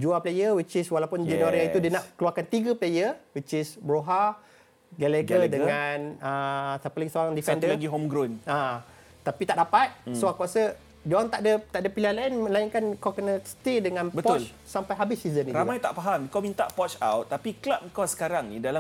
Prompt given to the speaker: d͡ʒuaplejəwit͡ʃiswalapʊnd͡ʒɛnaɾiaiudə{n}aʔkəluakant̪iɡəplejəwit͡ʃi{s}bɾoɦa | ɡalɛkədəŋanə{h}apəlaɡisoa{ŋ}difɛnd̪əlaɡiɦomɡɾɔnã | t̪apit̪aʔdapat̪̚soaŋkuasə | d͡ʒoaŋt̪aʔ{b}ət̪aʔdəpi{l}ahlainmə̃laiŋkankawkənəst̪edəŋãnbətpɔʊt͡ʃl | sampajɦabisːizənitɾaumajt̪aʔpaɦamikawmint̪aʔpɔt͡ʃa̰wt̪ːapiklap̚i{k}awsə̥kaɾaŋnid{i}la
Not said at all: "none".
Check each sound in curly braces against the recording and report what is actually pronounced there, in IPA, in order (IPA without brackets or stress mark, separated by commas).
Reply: n, s, s, ŋ, d, l, k, a